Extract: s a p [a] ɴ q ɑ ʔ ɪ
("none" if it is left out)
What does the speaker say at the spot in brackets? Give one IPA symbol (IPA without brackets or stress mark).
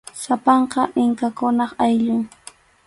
ɑ